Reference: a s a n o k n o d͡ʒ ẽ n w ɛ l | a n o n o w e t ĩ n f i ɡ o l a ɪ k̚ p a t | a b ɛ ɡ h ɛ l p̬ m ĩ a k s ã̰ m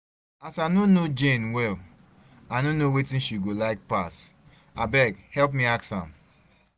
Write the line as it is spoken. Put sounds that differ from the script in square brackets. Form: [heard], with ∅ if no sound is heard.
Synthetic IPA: a s a n o [∅] n o d͡ʒ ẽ n w ɛ l | a n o n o w e t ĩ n [ʃ] i ɡ o l a ɪ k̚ p a [s] | a b ɛ ɡ h ɛ l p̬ m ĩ a k s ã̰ m